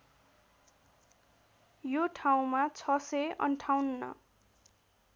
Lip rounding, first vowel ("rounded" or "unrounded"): rounded